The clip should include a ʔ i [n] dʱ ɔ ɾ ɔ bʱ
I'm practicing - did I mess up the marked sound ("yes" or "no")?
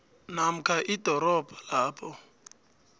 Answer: yes